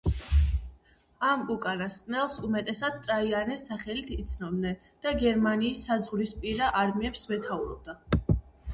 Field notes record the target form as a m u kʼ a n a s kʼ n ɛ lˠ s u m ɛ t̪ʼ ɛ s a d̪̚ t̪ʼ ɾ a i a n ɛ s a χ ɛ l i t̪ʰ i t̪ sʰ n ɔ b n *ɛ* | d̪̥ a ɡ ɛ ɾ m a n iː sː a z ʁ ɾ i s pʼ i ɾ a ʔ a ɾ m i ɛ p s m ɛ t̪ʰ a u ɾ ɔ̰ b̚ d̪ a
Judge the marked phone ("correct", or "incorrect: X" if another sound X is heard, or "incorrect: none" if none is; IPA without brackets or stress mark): correct